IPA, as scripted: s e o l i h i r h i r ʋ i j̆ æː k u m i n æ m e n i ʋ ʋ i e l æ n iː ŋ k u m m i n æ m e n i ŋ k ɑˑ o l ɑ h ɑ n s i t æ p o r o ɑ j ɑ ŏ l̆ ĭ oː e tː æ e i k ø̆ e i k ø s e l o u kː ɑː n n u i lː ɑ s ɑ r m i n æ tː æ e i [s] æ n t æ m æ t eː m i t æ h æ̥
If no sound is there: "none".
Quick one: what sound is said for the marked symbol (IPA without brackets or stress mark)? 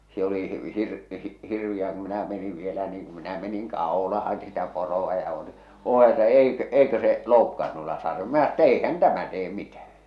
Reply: h